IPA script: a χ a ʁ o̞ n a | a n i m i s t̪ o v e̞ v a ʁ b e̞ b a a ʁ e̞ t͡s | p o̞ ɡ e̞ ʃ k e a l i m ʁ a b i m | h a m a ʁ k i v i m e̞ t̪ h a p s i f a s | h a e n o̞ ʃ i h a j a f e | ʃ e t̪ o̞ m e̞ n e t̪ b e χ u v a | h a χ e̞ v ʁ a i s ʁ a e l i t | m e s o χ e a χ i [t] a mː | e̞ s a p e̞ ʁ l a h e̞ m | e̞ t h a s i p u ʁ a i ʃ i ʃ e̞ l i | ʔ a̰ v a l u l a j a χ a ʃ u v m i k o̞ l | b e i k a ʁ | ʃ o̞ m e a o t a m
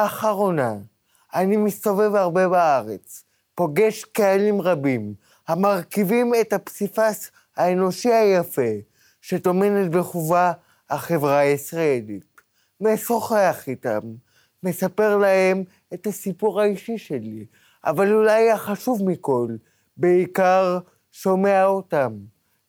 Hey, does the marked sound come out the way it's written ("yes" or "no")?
yes